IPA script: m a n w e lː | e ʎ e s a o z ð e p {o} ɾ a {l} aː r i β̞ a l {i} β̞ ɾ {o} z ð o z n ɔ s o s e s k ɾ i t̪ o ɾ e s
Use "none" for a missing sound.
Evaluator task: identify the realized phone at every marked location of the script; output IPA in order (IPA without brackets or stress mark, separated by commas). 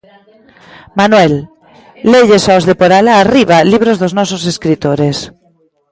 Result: o, l, i, o